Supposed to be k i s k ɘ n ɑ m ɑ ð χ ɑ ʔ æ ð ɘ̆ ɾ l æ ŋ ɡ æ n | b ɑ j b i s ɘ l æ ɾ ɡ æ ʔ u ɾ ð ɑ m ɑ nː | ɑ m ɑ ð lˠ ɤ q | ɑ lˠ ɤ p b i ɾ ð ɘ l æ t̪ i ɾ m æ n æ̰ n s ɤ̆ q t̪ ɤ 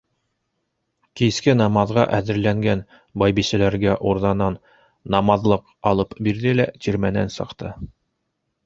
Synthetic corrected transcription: k i s k ɘ n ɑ m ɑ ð ʁ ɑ ʔ æ ð ɘ̆ ɾ l æ ŋ ɡ æ n | b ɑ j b i s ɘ l æ ɾ ɡ æ ʔ u ɾ ð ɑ n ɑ nː | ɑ m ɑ ð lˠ ɤ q | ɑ lˠ ɤ p b i ɾ ð ɘ l æ t̪ i ɾ m æ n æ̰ n s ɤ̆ q t̪ ɤ

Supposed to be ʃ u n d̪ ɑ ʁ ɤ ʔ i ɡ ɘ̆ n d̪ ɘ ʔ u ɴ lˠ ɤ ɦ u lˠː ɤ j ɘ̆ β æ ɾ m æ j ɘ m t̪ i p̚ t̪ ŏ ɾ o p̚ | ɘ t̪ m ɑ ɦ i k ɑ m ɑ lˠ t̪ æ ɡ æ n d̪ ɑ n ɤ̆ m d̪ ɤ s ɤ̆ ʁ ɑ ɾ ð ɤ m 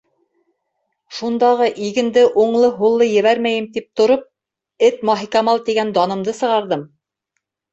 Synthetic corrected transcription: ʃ u n d̪ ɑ ʁ ɤ ʔ i ɡ ɘ̆ n d̪ ɘ ʔ u ɴ lˠ ɤ ɦ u lˠː ɤ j ɘ̆ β æ ɾ m æ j ɘ m t̪ i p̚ t̪ ŏ ɾ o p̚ | ɘ t̪ m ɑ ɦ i k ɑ m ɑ lˠ t̪ i ɡ æ n d̪ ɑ n ɤ̆ m d̪ ɤ s ɤ̆ ʁ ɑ ɾ ð ɤ m

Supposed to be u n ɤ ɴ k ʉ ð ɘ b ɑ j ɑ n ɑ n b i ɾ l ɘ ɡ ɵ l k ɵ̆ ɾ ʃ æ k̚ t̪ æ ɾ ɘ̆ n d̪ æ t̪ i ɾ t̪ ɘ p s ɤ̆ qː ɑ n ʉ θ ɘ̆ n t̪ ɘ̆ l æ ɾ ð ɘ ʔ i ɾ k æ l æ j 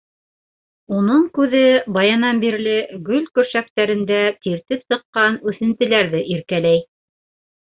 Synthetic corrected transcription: u n ɤ ɴ k ʉ ð ɘ b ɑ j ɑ n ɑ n b i ɾ l ɘ ɡ ɵ l k ɵ̆ ɾ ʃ æ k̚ t̪ æ ɾ ɘ̆ n d̪ æ t̪ i ɾ t̪ ɘ p s ɤ̆ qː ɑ n ʉ θ ɘ̆ n t̪ ɘ̆ l æ ɾ ð ɘ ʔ i ɾ k æ l æ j

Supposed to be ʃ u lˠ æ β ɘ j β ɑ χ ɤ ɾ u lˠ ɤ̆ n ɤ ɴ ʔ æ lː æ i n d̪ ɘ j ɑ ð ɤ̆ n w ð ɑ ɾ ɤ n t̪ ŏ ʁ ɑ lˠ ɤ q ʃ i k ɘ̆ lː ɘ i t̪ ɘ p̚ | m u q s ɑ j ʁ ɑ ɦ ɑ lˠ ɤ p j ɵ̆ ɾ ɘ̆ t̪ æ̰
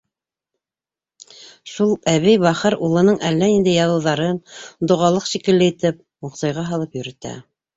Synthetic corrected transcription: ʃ u lˠ æ β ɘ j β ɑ χ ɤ ɾ u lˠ ɤ̆ n ɤ ɴ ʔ æ lː æ i n d̪ ɘ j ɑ ð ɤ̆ w ð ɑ ɾ ɤ n d̪ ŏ ʁ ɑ lˠ ɤ q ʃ i k ɘ̆ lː ɘ i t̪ ɘ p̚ | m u q s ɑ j ʁ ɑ ɦ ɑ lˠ ɤ p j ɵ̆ ɾ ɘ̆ t̪ æ̰

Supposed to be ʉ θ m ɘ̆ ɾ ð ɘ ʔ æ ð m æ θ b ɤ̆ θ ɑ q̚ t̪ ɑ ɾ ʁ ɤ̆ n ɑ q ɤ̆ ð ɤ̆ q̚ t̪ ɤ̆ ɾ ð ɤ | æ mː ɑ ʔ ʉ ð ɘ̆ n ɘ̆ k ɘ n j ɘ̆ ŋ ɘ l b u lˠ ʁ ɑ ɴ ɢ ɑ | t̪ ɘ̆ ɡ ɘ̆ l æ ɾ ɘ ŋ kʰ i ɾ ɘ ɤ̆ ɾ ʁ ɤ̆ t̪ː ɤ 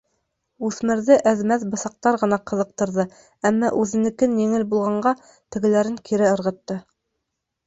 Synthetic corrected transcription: ʉ θ m ɘ̆ ɾ ð ɘ ʔ æ ð m æ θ b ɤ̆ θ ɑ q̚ t̪ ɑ ɾ ʁ ɤ̆ n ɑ q ɤ̆ ð ɤ̆ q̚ t̪ ɤ̆ ɾ ð ɤ | æ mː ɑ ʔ ʉ ð ɘ̆ n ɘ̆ k ɘ n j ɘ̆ ŋ ɘ l b u lˠ ʁ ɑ ɴ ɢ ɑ | t̪ ɘ̆ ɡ ɘ̆ l æ ɾ ɘ ŋ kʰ i ɾ ɘ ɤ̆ ɾ ʁ ɤ̆ t̪ː ɤ

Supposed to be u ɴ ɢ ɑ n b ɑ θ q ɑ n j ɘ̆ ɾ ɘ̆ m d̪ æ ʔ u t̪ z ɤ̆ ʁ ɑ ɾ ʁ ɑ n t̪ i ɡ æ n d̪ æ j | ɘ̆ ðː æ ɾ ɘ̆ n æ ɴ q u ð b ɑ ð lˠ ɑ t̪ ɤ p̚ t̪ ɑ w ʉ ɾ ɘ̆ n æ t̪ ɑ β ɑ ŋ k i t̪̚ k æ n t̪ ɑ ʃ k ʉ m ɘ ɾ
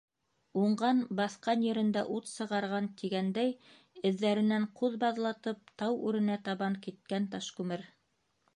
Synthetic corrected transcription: u ɴ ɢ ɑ n b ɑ θ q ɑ n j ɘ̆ ɾ ɘ̆ n d̪ æ ʔ u t̪ s ɤ̆ ʁ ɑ ɾ ʁ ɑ n t̪ i ɡ æ n d̪ æ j | ɘ̆ ðː æ ɾ ɘ̆ n æ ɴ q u ð b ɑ ð lˠ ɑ t̪ ɤ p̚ t̪ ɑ w ʉ ɾ ɘ̆ n æ t̪ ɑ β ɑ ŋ k i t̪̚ k æ n t̪ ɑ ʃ k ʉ m ɘ ɾ

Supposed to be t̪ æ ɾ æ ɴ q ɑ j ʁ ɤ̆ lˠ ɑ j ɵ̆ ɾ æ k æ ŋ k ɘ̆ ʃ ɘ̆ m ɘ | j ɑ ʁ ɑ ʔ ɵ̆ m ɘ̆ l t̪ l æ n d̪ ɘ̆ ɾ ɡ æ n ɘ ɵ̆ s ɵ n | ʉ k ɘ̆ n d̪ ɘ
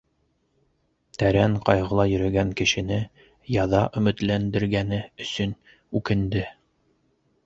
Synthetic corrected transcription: t̪ æ ɾ æ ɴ q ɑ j ʁ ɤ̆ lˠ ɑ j ɵ̆ ɾ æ ɡ æ ŋ k ɘ̆ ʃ ɘ̆ n ɘ | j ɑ ð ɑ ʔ ɵ̆ m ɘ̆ t̪ l æ n d̪ ɘ̆ ɾ ɡ æ n ɘ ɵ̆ s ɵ n | ʉ k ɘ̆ n d̪ ɘ

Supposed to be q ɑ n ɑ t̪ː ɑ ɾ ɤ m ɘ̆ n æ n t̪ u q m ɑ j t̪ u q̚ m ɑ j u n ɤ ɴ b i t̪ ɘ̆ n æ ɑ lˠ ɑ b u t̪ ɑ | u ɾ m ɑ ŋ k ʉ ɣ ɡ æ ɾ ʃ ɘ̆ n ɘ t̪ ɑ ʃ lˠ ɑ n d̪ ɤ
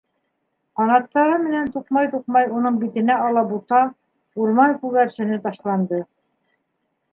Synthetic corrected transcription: q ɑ n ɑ t̪ː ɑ ɾ ɤ m ɘ̆ n æ n t̪ u q m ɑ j t̪ u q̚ m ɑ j u n ɤ ɴ b i t̪ ɘ̆ n æ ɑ lˠ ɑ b u t̪ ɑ | u ɾ m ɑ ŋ k ʉ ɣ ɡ æ ɾ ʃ ɘ̆ n ɘ t̪ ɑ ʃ lˠ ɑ n d̪ ɤ

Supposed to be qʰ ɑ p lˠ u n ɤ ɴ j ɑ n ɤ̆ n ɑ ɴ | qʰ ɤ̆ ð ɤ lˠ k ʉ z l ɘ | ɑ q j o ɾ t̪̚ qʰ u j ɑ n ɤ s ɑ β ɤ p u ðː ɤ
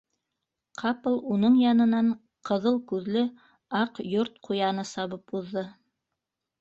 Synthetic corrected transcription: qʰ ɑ p lˠ u n ɤ ɴ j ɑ n ɤ̆ n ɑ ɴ | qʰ ɤ̆ ð ɤ lˠ k ʉ ð l ɘ | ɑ q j o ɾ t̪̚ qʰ u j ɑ n ɤ s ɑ β ɤ p u ðː ɤ

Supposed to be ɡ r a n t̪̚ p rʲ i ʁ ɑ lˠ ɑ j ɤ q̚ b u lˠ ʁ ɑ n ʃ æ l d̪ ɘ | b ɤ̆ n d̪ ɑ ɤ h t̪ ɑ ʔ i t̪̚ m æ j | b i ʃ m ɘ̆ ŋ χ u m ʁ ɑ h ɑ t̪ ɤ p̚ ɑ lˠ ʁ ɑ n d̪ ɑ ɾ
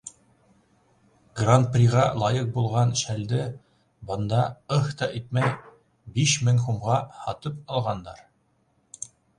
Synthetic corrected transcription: ɡ r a n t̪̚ p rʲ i ʁ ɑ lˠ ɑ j ɤ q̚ b u lˠ ʁ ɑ n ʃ æ l d̪ ɘ | b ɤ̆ n d̪ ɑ ɤ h t̪ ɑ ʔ i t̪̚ m æ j | b i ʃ m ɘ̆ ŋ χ u m ʁ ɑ h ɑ t̪ ɤ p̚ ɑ lˠ ʁ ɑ n d̪ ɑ ɾ

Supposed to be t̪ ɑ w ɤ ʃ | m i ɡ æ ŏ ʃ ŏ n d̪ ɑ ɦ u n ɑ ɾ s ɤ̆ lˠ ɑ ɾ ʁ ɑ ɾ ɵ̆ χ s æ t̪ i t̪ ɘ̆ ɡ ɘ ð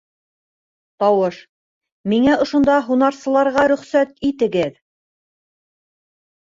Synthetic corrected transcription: t̪ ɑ w ɤ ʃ | m i ŋ æ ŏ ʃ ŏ n d̪ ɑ ɦ u n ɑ ɾ s ɤ̆ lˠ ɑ ɾ ʁ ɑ ɾ ɵ̆ χ s æ t̪ i t̪ ɘ̆ ɡ ɘ ð

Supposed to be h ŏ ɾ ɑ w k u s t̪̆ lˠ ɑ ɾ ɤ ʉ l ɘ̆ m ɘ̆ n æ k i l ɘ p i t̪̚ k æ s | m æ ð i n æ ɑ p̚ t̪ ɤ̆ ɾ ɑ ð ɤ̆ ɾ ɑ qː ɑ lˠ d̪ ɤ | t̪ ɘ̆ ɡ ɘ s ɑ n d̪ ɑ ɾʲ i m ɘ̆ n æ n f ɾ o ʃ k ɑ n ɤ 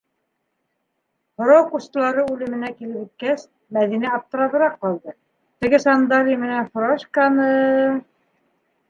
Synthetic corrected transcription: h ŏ ɾ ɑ w k u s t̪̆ lˠ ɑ ɾ ɤ ʉ l ɘ̆ m ɘ̆ n æ k i l ɘ p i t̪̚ k æ s | m æ ð i n æ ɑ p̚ t̪ ɤ̆ ɾ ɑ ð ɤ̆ ɾ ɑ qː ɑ lˠ d̪ ɤ | t̪ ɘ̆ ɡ ɘ s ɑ n d̪ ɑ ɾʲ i m ɘ̆ n æ n f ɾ o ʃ k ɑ n ɤ

